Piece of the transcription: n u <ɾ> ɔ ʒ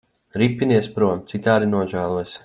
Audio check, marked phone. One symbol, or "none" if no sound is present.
none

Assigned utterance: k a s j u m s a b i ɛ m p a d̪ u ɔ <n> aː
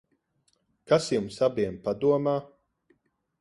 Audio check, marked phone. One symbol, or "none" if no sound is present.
m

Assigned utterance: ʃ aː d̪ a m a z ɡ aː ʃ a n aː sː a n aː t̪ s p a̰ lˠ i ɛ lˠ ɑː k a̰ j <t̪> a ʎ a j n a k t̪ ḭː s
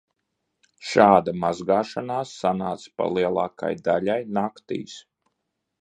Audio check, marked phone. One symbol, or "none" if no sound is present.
d̪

